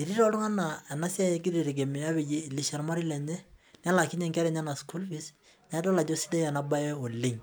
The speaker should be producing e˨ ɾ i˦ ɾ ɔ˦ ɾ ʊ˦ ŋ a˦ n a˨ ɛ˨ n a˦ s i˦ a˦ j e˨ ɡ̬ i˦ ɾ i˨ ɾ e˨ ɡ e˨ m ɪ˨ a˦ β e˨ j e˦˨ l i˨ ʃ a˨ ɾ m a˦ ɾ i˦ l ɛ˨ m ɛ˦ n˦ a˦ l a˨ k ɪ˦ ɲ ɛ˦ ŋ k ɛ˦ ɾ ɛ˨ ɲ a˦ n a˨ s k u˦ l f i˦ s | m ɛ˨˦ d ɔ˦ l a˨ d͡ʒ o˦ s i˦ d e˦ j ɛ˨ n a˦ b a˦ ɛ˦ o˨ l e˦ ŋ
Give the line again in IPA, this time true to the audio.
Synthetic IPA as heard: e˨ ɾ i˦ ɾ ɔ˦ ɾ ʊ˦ ŋ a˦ n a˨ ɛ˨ n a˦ s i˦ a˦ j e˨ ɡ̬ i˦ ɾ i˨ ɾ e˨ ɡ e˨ m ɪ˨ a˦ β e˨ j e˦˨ l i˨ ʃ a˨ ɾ m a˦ ɾ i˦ l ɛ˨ ɲ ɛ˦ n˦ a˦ l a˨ k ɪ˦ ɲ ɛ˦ ŋ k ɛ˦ ɾ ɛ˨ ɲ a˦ n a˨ s k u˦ l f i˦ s | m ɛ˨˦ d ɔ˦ l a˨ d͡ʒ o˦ s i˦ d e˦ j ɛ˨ n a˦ b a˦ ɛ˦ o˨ l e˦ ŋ